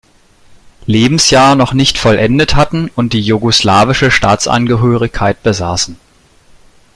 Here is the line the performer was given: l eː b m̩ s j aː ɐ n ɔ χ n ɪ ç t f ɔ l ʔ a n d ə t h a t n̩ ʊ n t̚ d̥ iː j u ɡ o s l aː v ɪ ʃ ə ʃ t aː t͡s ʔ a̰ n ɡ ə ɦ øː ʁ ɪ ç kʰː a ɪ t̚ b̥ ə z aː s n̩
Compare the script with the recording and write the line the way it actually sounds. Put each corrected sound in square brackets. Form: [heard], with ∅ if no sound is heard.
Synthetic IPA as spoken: l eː b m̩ s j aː ɐ n ɔ χ n ɪ ç t f ɔ l ʔ [ɛ] n d ə t h a t n̩ ʊ n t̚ d̥ iː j u ɡ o s l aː v ɪ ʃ ə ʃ t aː t͡s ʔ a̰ n ɡ ə ɦ øː ʁ ɪ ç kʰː a ɪ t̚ b̥ ə z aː s n̩